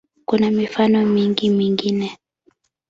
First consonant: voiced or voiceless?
voiceless